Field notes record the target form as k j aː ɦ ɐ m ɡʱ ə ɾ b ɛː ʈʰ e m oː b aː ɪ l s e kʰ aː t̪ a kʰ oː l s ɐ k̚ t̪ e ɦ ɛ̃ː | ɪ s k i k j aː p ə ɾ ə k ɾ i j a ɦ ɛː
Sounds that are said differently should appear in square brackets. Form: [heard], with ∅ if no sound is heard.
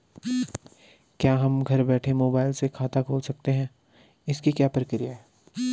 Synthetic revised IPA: k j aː ɦ ɐ m ɡʱ [ɐ] ɾ b ɛː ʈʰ e m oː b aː ɪ l s e kʰ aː t̪ a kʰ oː l s ɐ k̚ t̪ e ɦ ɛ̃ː | ɪ s k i k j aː p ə ɾ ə k ɾ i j a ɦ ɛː